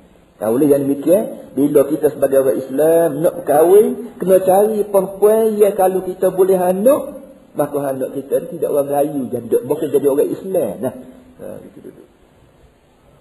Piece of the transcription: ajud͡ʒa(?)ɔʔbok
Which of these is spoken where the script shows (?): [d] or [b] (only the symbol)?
d